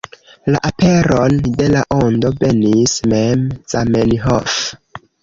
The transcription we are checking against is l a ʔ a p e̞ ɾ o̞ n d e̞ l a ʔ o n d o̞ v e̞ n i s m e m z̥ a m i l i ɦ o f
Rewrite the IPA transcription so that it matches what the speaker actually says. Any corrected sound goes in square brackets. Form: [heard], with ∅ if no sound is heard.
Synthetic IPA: l a ʔ a p e̞ ɾ o̞ n d e̞ l a ʔ o n d o̞ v e̞ n i s m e m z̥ a m [e] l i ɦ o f